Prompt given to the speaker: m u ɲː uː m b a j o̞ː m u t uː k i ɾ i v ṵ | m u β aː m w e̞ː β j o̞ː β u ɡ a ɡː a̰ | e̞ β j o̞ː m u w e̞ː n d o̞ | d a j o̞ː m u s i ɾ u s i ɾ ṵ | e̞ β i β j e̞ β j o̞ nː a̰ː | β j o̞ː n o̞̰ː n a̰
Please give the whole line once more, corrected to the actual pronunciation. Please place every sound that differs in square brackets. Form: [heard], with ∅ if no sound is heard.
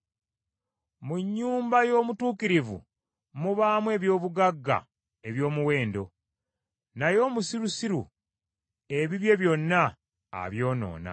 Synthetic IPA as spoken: m u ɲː uː m b a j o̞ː m u t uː k i ɾ i v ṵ | m u β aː m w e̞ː β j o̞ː β u ɡ a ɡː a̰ | e̞ β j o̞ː m u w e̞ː n d o̞ | [n] a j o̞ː m u s i ɾ u s i ɾ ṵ | e̞ β i β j e̞ β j o̞ nː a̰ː | β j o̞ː n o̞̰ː n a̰